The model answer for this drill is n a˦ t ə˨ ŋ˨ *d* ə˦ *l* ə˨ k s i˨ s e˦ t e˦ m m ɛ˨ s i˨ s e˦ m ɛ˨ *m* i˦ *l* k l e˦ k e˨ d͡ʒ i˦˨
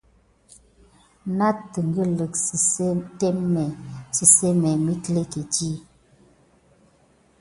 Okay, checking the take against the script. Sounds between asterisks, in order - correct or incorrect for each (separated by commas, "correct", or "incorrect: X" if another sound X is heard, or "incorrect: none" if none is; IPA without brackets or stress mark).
incorrect: ɡ, correct, correct, incorrect: none